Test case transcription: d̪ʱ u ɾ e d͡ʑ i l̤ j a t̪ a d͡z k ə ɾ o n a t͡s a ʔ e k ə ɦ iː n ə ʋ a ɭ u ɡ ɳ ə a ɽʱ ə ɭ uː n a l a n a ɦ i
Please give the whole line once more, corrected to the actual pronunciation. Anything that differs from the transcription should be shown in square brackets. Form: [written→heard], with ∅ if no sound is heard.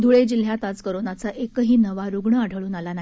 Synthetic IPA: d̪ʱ u [ɾ→ɭ] e d͡ʑ i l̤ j a t̪ a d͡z k ə ɾ o n a t͡s a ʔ e k ə ɦ iː n ə ʋ a [ɭ→ɾ] u ɡ ɳ ə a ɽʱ ə ɭ uː n a l a n a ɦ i